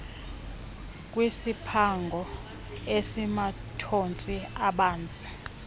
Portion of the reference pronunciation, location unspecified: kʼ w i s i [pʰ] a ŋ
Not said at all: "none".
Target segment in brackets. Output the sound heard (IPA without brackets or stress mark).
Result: pʰ